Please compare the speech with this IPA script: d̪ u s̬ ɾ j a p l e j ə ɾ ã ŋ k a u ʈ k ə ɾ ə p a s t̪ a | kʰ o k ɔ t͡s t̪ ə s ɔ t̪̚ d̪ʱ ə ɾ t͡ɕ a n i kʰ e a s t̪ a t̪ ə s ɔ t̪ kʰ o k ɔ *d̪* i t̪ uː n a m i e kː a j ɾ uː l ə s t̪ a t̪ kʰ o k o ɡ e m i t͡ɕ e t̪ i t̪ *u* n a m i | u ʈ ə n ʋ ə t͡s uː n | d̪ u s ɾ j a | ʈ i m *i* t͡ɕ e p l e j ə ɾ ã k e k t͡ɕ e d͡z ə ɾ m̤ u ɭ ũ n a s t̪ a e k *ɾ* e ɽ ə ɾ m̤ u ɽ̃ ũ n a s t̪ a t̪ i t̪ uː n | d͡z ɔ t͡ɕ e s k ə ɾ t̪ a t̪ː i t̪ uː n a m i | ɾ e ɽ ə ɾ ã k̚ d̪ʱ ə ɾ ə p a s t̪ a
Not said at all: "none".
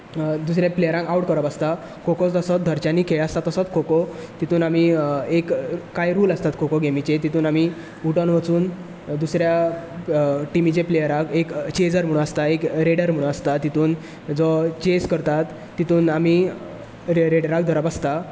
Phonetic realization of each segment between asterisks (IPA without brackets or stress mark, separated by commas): t̪, uː, i, ɾ